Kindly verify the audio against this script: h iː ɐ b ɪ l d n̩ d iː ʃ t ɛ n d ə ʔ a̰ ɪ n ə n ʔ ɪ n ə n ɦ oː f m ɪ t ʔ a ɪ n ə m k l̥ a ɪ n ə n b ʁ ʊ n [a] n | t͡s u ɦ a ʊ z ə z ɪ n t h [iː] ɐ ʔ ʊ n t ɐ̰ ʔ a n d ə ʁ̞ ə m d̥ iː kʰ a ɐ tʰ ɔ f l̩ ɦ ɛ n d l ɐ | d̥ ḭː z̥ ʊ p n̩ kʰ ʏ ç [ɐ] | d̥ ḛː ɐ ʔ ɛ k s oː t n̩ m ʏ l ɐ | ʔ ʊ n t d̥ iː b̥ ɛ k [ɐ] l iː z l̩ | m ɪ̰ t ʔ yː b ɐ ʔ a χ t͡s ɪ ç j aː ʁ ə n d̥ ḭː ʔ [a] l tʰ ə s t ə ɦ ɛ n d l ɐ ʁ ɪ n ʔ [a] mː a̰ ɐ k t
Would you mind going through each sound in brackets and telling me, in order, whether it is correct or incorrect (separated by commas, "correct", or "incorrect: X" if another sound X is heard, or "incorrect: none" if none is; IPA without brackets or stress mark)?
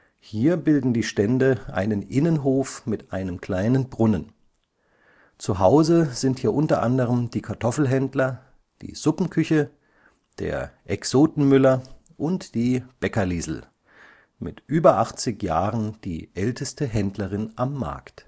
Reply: incorrect: ə, correct, incorrect: ə, correct, incorrect: ɛ, correct